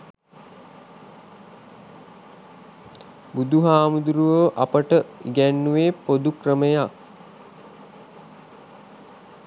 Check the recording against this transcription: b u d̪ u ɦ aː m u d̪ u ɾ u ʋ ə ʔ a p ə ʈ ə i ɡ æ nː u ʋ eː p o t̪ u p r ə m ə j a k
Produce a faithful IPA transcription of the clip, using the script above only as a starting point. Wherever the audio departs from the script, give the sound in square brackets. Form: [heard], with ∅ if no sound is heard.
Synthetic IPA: b u d̪ u ɦ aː m u d̪ u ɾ u ʋ ə ʔ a p ə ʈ ə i ɡ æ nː u ʋ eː p o [d̪] u [k] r ə m ə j a k